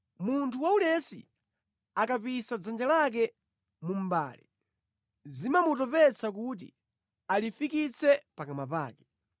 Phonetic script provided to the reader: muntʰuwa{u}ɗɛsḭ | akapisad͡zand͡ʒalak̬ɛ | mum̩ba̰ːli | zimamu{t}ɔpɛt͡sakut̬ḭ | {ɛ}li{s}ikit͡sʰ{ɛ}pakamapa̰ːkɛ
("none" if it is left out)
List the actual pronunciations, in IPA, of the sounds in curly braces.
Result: u, t, a, f, ɛ

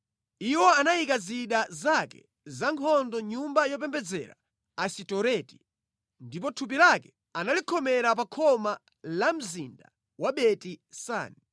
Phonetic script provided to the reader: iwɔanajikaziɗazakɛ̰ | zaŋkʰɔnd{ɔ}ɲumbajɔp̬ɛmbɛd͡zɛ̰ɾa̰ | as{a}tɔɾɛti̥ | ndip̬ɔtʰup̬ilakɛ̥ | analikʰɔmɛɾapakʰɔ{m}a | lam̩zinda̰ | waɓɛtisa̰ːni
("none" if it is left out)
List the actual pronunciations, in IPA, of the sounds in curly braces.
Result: ɔ, i, m

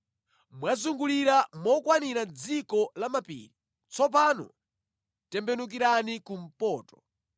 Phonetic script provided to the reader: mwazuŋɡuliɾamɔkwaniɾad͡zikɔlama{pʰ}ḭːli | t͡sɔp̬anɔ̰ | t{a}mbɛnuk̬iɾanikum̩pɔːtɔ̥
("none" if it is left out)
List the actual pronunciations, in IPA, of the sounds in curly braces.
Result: p, ɛ

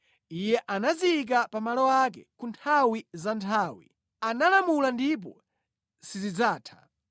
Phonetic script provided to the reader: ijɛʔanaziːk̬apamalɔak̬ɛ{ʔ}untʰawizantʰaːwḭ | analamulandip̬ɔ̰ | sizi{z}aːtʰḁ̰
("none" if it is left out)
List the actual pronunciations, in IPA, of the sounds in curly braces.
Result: k, d͡z

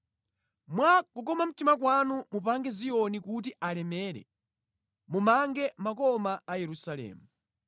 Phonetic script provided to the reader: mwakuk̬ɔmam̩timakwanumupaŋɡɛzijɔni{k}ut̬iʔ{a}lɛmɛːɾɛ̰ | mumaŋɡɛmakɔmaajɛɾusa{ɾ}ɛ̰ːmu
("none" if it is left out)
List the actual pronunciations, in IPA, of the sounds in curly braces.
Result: k, a, l

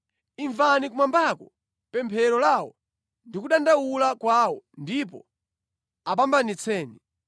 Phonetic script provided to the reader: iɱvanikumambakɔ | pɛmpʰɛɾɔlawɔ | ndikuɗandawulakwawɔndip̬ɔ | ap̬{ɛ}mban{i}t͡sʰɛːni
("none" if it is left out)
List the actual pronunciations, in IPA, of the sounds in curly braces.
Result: a, i

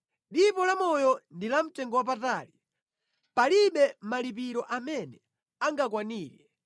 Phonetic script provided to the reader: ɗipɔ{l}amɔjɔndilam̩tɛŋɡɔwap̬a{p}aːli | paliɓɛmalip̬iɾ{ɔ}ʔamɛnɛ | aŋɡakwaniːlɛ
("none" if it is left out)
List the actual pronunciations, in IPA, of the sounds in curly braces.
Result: l, t, ɔ

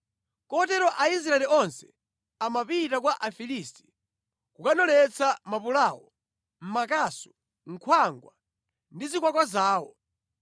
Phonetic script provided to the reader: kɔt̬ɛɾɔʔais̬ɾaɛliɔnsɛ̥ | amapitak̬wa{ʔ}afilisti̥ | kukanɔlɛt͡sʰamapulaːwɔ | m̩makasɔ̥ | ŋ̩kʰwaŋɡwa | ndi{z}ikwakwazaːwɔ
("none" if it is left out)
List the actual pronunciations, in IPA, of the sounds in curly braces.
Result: ʔ, z

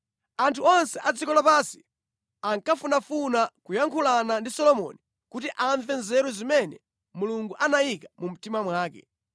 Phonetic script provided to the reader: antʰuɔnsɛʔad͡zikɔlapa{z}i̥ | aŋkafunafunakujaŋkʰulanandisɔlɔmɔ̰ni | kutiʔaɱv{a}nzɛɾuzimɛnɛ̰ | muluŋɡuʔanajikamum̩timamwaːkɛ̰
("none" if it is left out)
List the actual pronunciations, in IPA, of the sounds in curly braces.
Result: s, ɛ

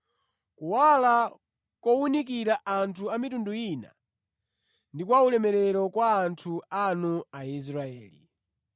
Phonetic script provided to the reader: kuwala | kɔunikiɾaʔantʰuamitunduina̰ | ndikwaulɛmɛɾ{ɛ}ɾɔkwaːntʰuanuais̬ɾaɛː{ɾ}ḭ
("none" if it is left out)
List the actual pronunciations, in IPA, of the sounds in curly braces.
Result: ɛ, l

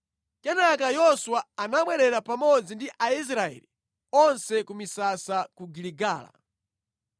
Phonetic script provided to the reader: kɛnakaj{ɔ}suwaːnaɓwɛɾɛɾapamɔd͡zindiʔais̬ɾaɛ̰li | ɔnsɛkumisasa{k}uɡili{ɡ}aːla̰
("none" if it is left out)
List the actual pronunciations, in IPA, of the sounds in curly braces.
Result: ɔ, k, ɡ

